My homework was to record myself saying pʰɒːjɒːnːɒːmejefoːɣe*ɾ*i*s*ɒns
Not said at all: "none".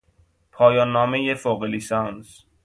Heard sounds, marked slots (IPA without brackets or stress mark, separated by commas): l, s